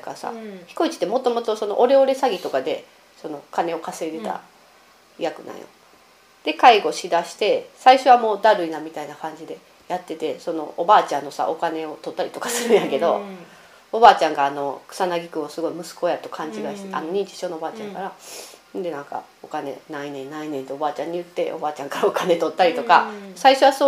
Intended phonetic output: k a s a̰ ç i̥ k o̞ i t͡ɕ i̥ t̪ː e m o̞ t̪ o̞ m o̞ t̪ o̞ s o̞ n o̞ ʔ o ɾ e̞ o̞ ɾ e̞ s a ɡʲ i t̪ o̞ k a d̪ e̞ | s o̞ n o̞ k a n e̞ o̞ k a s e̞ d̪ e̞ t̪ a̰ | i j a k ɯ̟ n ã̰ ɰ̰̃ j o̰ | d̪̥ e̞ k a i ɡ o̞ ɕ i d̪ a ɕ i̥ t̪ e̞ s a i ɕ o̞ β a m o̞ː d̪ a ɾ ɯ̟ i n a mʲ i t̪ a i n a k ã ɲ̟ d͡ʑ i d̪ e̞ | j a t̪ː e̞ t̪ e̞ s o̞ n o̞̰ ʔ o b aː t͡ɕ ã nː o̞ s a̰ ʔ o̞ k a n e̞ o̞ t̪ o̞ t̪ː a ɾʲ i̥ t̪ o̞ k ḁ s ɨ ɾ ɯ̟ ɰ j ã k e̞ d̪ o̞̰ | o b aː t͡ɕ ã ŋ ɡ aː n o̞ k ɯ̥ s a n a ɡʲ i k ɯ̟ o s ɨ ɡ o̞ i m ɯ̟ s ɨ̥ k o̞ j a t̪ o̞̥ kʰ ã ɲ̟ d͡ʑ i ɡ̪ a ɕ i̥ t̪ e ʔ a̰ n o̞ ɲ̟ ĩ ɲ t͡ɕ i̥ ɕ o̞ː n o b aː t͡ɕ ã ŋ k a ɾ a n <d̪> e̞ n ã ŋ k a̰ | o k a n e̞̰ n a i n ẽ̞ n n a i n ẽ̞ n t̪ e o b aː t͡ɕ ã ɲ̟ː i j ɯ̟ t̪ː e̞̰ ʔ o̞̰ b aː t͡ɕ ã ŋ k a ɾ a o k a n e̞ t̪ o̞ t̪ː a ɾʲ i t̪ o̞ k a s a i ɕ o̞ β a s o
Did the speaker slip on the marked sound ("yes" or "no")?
no